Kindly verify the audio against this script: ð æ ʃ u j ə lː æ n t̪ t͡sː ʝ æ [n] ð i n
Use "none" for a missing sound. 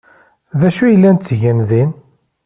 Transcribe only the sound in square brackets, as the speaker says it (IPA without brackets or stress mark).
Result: n